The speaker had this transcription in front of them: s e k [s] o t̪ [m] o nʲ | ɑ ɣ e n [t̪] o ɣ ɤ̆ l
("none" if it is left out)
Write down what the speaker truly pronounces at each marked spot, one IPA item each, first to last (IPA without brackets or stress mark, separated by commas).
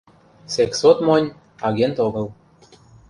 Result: s, m, t̪